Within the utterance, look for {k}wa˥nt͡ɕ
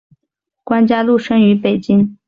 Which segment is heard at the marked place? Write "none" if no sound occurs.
k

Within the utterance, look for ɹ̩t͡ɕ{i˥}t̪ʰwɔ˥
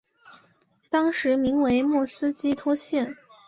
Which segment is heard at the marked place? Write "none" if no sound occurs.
i˥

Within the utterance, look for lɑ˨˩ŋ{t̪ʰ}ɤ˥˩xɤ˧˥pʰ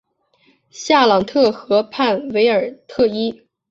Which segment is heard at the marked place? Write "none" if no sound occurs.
t̪ʰ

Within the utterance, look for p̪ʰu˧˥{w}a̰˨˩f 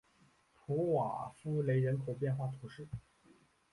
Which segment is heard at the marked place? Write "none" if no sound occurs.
w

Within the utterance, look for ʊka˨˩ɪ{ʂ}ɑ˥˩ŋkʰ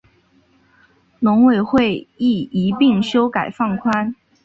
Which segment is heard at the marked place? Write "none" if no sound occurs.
f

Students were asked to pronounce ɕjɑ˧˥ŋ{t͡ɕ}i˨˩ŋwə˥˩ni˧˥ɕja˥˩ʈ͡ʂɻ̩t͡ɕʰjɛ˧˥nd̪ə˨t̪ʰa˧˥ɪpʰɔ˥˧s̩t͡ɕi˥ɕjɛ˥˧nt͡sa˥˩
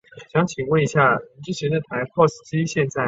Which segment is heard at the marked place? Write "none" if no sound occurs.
t͡ɕʰ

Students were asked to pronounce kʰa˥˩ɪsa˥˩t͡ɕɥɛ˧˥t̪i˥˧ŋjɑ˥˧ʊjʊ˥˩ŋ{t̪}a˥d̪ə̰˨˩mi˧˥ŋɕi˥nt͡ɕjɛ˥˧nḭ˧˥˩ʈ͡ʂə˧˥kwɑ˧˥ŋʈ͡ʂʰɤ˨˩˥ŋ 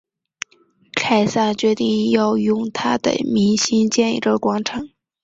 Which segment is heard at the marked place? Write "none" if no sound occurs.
t̪ʰ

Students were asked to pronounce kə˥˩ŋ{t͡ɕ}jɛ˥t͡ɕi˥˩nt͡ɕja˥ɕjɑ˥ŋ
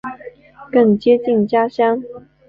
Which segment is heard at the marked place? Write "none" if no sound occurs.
t͡ɕ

